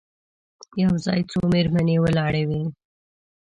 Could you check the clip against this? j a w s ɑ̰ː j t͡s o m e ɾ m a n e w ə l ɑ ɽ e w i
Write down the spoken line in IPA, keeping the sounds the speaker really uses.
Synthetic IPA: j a w z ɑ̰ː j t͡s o m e ɾ m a n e w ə l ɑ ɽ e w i